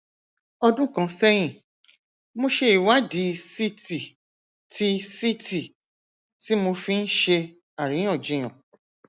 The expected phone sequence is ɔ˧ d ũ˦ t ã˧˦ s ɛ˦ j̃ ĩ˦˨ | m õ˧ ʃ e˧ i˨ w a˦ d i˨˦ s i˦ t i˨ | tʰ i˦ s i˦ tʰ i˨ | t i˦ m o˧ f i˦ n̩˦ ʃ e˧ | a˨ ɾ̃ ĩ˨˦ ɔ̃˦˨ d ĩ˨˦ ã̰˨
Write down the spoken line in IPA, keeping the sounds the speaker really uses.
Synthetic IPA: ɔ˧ d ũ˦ k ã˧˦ s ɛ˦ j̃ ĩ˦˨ | m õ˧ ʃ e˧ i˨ w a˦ d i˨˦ s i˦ t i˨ | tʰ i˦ s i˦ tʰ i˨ | t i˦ m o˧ f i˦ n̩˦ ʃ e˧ | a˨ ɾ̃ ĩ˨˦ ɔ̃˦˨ d͡ʒ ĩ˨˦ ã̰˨